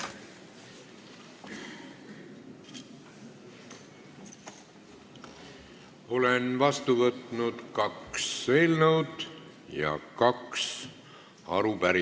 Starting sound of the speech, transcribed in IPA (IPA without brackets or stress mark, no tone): o̞